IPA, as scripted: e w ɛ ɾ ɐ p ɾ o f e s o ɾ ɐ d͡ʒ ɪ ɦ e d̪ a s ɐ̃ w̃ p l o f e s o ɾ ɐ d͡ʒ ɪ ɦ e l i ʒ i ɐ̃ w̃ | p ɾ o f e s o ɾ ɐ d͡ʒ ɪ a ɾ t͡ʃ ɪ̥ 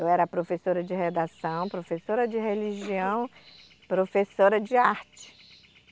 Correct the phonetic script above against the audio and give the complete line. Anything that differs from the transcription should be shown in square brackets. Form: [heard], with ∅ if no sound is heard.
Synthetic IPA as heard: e w ɛ ɾ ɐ p ɾ o f e s o ɾ ɐ d͡ʒ ɪ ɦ e d̪ a s ɐ̃ w̃ p [ɾ] o f e s o ɾ ɐ d͡ʒ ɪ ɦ e l i ʒ i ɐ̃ w̃ | p ɾ o f e s o ɾ ɐ d͡ʒ ɪ a ɾ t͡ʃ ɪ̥